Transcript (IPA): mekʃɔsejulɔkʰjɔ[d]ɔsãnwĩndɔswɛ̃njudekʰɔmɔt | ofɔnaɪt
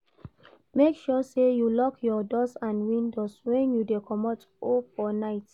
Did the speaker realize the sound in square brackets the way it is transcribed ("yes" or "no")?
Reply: yes